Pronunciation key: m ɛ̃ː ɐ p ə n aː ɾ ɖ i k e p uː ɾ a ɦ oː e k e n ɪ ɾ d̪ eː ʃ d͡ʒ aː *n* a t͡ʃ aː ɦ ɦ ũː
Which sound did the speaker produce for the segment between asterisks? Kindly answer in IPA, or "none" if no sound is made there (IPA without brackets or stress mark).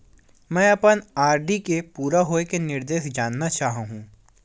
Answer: nː